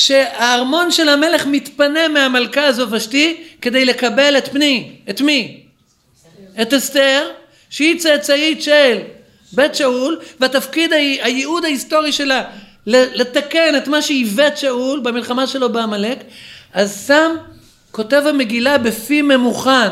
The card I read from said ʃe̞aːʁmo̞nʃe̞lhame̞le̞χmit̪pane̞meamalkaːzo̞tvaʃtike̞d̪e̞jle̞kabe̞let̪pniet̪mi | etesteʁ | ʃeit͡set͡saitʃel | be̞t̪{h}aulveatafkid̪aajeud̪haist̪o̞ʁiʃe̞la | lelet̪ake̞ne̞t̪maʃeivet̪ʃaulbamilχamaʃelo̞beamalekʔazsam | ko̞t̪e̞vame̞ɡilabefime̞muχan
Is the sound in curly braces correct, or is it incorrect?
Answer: incorrect